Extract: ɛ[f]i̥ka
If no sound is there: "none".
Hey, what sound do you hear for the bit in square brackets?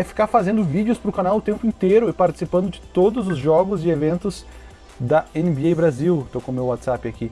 f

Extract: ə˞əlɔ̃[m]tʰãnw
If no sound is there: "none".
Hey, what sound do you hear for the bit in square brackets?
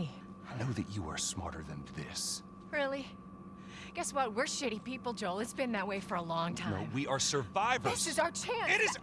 ŋ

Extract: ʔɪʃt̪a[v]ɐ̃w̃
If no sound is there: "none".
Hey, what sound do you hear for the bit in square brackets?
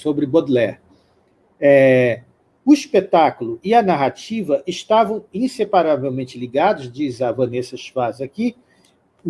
v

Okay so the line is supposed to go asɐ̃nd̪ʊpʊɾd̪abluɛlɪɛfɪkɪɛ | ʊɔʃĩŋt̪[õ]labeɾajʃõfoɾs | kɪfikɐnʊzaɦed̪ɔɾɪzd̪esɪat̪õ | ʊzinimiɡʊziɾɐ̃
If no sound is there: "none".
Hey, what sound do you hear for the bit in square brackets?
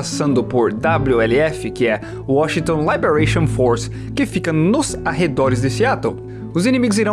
õ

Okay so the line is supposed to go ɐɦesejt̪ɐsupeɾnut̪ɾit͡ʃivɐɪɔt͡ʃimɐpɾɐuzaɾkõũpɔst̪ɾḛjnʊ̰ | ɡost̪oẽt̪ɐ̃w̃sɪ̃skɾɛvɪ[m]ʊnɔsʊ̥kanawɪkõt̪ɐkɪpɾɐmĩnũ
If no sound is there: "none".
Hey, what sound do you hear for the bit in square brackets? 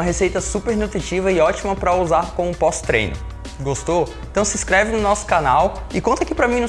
n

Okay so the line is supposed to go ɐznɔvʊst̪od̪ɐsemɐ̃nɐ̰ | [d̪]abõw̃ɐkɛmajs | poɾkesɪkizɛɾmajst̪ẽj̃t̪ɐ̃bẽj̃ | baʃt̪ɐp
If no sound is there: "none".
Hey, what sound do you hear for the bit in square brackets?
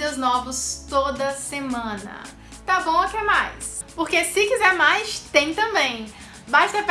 t̪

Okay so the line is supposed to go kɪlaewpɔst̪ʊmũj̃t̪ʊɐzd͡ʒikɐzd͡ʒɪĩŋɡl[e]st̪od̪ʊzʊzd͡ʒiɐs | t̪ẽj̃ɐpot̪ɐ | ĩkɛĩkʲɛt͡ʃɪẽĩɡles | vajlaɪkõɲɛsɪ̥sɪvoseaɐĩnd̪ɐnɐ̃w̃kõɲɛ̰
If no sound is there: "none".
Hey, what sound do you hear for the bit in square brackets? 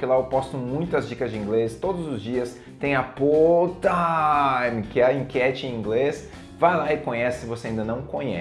e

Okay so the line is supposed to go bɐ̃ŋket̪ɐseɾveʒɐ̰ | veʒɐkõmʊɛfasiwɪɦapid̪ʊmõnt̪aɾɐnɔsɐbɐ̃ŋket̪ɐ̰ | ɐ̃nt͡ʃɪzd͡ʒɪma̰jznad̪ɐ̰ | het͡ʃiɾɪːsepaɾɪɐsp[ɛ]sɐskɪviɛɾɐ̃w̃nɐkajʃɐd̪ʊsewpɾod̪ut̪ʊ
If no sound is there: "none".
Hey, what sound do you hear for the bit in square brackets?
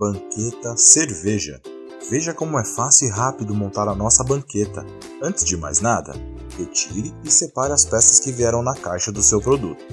ɛ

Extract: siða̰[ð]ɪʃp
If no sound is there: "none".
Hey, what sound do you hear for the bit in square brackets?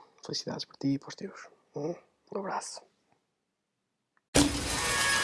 ð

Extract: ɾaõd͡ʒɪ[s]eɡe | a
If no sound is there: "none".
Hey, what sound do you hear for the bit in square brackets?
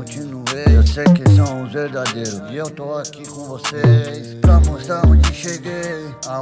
ʃ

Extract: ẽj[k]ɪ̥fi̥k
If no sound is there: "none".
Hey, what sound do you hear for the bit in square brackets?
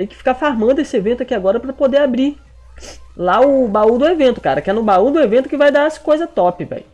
k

